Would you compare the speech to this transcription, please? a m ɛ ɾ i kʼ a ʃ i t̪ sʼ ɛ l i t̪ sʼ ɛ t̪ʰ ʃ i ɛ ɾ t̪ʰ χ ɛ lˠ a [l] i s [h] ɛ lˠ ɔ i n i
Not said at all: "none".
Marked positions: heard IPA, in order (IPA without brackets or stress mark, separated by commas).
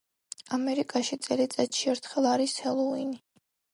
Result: ɾ, h